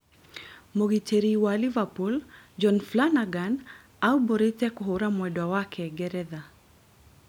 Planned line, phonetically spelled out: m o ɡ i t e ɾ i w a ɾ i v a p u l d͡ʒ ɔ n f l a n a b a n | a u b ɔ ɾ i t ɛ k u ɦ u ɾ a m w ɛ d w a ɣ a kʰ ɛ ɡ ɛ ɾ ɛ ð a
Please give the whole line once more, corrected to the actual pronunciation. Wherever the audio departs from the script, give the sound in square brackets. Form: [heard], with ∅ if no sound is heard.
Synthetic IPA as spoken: m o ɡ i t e ɾ i w a [l] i v a p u l d͡ʒ ɔ n f l a n a [ɡ] a n | a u b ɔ ɾ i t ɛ k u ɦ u ɾ a m w ɛ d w a [w] a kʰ ɛ ɡ ɛ ɾ ɛ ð a

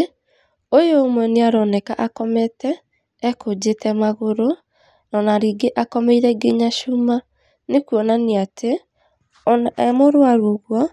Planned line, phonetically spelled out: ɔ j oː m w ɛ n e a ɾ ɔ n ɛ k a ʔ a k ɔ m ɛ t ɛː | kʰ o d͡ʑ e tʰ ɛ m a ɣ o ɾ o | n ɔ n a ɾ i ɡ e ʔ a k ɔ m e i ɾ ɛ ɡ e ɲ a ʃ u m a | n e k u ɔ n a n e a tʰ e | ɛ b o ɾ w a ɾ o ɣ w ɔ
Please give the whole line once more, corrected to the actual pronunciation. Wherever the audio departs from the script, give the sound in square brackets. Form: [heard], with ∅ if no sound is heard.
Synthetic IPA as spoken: [o] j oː m w ɛ n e a ɾ ɔ n ɛ k a ʔ a k ɔ m ɛ t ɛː | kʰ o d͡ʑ e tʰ ɛ m a ɣ o ɾ o | n ɔ n a ɾ i ɡ e ʔ a k ɔ m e i ɾ ɛ ɡ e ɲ a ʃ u m a | n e k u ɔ n a n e a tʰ e | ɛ [m] o ɾ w a ɾ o ɣ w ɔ

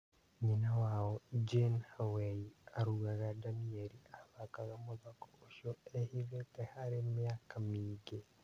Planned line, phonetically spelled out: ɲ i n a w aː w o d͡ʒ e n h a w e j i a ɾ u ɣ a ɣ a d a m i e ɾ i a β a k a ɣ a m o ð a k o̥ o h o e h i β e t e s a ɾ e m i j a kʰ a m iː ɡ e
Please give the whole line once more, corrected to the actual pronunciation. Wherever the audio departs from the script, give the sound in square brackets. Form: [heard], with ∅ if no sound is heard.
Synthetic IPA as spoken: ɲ i n a w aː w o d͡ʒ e n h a w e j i a ɾ u ɣ a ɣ a d a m i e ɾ i a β a k a ɣ a m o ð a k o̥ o [ʃ] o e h i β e t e [h] a ɾ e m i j a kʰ a m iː ɡ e

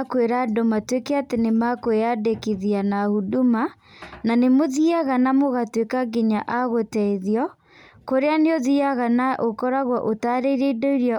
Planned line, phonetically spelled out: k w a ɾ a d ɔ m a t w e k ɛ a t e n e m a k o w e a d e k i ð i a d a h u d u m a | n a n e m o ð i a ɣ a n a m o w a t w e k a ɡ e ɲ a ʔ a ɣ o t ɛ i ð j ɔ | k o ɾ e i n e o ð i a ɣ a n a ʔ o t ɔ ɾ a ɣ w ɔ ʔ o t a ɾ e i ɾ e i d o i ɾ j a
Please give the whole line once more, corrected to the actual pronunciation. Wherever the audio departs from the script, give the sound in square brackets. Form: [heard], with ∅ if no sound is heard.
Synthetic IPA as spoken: k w [e] ɾ a d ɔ m a t w e k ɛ a t e n e m a k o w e a d e k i ð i a [n] a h u d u m a | n a n e m o ð i a ɣ a n a m o [ɣ] a t w e k a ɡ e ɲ a ʔ a ɣ o t ɛ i ð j ɔ | k o ɾ e [a] n e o ð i a ɣ a n a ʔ o [k] ɔ ɾ a ɣ w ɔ ʔ o t a ɾ e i ɾ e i d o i ɾ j a

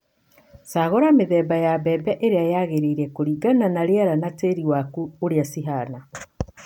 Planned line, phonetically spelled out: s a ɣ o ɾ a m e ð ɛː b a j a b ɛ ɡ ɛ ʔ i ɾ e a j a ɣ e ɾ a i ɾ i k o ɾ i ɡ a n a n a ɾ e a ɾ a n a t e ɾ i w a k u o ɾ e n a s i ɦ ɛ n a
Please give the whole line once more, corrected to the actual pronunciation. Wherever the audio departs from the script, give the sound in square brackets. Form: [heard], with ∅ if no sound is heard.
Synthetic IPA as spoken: s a ɣ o ɾ a m e ð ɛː b a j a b ɛ [b] ɛ ʔ [e] ɾ e a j a ɣ e ɾ [e] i ɾ [ɛ] k o ɾ i ɡ a n a n a ɾ e a ɾ a n a t e ɾ i w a k u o ɾ e [∅] a s i ɦ [a] n a

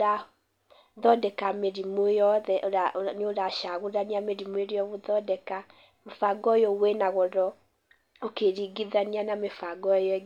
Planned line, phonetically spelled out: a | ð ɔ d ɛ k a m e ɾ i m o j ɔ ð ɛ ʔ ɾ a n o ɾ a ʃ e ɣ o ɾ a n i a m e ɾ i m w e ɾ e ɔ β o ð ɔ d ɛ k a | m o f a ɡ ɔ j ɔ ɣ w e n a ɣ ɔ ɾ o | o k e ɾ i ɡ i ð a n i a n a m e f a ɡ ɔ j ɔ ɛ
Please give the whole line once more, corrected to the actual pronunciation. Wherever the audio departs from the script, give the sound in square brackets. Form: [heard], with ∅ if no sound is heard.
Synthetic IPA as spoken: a | ð ɔ d ɛ k a m e ɾ i m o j ɔ ð ɛ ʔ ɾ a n o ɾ a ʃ [a] ɣ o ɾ a n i a m e ɾ i m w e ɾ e ɔ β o ð ɔ d ɛ k a | m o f a ɡ ɔ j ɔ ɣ w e n a ɣ ɔ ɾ [ɔ] | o k e ɾ i ɡ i ð a n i a n a m e f a ɡ ɔ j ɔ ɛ

